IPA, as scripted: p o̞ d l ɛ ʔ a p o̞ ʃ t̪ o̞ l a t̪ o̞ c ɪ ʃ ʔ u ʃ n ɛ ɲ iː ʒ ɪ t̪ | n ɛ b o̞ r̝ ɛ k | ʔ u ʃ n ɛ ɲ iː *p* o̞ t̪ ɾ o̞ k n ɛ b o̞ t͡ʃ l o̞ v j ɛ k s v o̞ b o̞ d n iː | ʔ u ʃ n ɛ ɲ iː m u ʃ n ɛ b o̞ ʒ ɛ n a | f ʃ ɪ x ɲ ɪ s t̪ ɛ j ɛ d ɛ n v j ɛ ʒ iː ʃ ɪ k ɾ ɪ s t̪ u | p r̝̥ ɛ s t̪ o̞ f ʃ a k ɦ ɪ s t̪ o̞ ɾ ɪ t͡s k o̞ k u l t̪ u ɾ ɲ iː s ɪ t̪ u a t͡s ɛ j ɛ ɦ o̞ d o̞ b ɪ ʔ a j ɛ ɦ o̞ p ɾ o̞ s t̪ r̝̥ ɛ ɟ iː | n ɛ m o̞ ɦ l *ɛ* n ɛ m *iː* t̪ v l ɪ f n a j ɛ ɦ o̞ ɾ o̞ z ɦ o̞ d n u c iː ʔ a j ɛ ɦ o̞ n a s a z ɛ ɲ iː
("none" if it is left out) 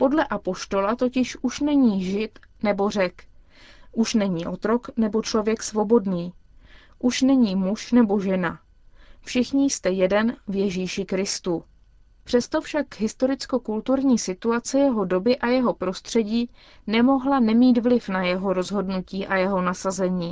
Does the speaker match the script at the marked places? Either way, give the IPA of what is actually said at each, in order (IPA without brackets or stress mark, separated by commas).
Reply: ʔ, a, iː